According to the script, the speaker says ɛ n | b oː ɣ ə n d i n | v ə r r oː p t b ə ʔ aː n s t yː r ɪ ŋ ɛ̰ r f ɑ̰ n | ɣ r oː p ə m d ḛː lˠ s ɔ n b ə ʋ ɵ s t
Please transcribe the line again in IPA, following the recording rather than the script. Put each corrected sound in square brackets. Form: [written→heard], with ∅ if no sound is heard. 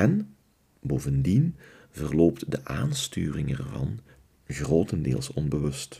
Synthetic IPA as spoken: ɛ n | b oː [ɣ→v] ə n d i n | v ə r [r→l] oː p t [b→d] ə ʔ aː n s t yː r ɪ ŋ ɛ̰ r [f→v] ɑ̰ n | ɣ r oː [p→t] ə [m→n] d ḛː lˠ s ɔ n b ə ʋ ɵ s t